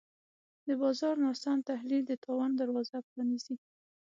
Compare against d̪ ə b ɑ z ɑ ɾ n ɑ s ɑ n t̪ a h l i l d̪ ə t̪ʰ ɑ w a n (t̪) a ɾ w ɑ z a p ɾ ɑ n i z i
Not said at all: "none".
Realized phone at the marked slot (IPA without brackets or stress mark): d̪